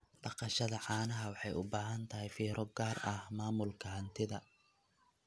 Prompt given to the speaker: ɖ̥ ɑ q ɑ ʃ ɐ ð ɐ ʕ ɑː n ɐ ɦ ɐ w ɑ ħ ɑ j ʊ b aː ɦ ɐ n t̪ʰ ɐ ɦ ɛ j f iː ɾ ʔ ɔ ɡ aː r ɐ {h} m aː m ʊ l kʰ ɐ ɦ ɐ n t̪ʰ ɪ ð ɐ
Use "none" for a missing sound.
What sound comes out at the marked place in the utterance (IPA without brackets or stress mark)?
h